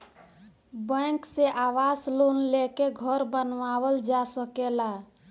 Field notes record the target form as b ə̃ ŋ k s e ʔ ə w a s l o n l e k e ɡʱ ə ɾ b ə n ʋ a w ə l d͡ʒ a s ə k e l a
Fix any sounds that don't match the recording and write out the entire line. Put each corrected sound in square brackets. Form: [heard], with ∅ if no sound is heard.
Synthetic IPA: b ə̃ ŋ k s e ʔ [a] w a s l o n l e k e ɡʱ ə ɾ b ə n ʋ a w ə l d͡ʒ a s ə k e l a